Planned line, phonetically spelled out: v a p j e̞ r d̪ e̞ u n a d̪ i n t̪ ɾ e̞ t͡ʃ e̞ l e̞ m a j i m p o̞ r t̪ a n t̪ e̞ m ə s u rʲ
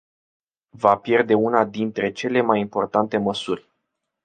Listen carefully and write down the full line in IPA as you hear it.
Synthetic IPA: v a p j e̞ r d̪ e̞ u n a d̪ i n t̪ ɾ e̞ t͡ʃ e̞ l e̞ m a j i m p o̞ r t̪ a n t̪ e̞ m ə s u rʲ